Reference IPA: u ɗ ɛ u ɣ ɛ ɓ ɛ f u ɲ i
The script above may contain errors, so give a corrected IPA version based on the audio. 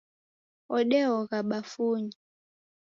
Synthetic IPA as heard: ɔ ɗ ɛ ɔ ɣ a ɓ a f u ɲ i